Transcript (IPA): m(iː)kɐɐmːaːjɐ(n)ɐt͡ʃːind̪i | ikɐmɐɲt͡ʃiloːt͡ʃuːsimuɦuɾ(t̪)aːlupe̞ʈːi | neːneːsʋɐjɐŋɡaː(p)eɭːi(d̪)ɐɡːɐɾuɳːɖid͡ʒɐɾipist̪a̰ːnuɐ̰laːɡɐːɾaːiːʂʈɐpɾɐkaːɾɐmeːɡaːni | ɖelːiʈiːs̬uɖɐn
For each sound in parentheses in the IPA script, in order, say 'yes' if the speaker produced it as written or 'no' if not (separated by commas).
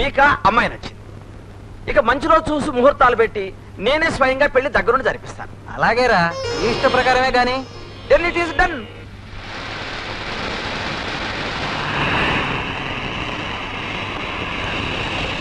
yes, yes, yes, yes, yes